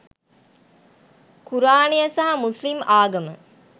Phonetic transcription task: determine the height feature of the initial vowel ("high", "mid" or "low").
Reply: high